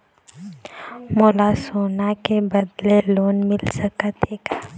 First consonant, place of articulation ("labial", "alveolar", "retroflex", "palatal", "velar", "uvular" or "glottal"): labial